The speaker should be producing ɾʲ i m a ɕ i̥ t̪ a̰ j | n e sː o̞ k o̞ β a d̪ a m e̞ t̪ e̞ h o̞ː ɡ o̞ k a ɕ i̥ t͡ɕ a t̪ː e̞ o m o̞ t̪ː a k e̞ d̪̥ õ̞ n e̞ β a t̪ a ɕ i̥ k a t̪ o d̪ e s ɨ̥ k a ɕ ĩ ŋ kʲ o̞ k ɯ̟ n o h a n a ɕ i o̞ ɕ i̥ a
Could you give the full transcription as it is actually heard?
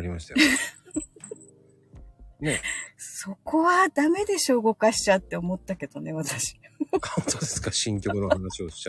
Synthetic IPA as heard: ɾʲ i m a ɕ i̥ t̪ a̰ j | n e s o̞ k o̞ β a d̪ a m e̞ d̪ e̞ ɕ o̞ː ɡ o̞ k a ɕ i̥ t͡ɕ a t̪ː e̞ o m o̞ t̪ː a k e̞ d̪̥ o̞ n e̞ β a t̪ a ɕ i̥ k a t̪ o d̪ e s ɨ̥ k a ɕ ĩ ŋ kʲ o̞ k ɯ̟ n o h a n a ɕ i o̞ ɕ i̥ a